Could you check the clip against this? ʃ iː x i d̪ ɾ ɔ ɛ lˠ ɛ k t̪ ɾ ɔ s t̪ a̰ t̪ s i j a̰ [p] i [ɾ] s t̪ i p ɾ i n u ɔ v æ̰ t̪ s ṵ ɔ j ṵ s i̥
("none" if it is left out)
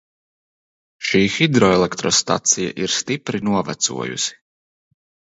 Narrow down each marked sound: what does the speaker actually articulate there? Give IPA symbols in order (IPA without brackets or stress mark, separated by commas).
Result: ʔ, ɾ